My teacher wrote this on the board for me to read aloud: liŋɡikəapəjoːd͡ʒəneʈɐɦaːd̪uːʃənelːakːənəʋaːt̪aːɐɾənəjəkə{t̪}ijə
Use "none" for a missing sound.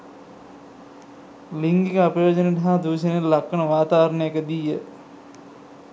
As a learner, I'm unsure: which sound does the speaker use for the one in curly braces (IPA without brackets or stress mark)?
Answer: d̪